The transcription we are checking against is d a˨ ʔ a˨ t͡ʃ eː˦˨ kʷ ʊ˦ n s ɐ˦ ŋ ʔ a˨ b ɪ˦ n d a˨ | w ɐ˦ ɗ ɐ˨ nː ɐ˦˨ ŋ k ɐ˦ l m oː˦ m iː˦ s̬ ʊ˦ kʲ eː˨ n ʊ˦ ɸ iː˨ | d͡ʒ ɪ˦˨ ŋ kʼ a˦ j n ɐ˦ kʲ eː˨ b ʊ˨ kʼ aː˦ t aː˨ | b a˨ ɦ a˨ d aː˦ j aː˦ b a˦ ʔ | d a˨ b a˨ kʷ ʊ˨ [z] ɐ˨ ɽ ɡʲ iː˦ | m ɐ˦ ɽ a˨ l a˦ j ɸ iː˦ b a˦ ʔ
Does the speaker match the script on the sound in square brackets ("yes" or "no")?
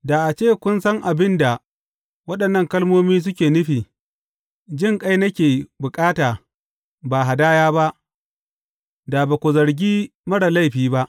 yes